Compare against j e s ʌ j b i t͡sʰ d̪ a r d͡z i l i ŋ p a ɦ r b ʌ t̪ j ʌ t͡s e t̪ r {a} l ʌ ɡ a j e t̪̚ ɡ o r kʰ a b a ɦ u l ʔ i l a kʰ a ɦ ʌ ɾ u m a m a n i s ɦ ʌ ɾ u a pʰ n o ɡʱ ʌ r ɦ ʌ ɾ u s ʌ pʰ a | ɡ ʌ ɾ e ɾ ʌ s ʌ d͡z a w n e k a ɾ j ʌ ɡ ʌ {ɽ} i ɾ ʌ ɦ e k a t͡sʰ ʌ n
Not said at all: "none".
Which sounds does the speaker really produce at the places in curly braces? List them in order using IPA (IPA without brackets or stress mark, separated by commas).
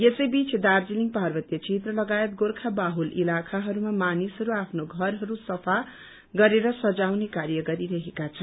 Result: ʌ, ɾ